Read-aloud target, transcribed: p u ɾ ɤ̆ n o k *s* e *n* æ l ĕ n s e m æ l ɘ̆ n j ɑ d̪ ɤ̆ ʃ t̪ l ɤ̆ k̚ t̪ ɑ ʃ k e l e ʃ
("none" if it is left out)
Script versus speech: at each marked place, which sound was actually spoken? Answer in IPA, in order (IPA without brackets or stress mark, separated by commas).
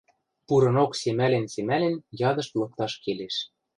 s, m